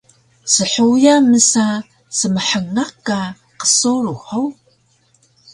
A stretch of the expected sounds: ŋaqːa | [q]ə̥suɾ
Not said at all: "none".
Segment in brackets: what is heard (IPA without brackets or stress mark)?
q